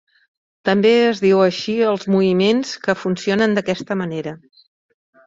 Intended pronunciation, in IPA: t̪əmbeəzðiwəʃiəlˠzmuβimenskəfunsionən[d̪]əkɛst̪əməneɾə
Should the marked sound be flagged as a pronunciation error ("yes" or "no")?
no